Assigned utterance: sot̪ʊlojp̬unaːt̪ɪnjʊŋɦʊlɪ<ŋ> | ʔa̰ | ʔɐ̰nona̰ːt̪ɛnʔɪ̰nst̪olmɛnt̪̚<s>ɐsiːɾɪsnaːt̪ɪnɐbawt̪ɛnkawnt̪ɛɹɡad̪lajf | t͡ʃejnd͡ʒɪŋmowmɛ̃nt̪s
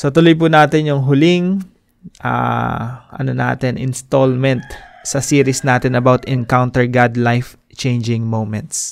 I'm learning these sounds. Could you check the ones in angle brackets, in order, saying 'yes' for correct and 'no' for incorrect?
yes, yes

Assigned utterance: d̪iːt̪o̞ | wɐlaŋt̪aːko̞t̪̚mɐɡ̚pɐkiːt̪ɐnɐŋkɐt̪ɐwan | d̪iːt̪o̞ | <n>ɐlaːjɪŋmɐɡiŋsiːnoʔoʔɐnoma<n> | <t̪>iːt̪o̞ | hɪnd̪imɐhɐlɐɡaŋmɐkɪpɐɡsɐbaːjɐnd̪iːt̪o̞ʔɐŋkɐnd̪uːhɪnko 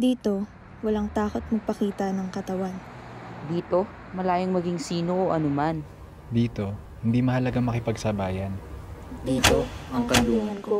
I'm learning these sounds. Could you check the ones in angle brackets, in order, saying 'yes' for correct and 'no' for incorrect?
no, yes, no

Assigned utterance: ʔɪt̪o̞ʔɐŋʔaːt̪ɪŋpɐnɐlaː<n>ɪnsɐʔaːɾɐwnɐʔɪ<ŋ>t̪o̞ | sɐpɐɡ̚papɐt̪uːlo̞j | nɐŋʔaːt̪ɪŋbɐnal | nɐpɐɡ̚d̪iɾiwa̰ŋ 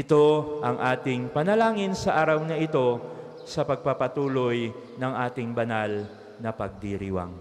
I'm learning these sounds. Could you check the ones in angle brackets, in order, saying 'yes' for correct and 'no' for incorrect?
no, no

